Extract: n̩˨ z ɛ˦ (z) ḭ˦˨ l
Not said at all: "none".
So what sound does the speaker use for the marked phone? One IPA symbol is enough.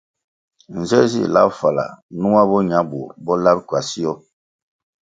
z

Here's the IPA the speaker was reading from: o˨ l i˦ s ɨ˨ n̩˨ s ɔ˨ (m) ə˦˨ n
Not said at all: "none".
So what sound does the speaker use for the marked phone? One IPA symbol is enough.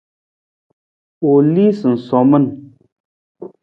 m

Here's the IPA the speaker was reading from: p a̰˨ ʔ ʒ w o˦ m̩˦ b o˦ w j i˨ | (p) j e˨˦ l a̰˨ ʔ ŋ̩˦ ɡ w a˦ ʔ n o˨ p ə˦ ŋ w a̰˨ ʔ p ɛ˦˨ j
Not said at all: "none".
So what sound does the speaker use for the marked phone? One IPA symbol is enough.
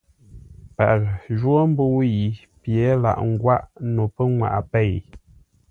p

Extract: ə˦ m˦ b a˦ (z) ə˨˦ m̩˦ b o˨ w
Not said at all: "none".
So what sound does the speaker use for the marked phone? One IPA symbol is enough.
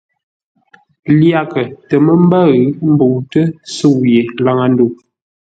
ɣ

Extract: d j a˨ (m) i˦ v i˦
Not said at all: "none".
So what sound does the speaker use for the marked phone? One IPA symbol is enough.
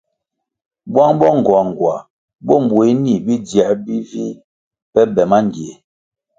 b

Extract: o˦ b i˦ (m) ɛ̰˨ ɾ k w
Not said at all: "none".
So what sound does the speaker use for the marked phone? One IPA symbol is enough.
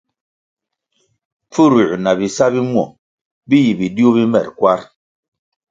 m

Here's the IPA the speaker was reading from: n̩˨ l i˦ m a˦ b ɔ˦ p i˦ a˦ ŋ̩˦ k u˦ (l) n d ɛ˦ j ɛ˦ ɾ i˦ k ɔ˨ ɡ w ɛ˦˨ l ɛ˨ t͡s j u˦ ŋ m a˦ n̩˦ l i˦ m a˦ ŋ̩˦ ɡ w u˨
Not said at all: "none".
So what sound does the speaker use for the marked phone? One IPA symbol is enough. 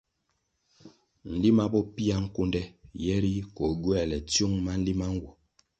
none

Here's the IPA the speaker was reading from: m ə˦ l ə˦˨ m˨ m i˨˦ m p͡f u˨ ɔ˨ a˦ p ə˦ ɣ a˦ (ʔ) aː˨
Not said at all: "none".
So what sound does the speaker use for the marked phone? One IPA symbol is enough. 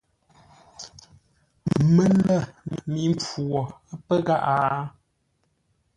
ʔ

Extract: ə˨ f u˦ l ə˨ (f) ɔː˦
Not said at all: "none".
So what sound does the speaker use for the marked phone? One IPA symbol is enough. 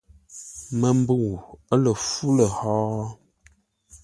h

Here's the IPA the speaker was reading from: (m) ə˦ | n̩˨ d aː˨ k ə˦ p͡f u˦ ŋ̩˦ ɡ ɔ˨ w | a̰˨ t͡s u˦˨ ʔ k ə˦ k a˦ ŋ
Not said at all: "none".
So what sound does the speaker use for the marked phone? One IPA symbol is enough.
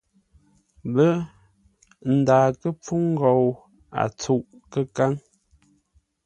b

